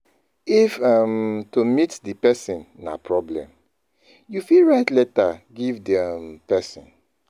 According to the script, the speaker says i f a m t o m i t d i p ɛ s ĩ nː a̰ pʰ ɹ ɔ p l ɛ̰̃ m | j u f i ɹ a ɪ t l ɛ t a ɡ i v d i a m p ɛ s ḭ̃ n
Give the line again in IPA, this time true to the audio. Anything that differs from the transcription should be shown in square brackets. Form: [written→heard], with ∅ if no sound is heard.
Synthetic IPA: i f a m t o m i t d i p ɛ s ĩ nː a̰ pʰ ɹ ɔ [p→b] l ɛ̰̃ m | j u f i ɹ a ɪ t l ɛ t a ɡ i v d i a m p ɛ s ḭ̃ n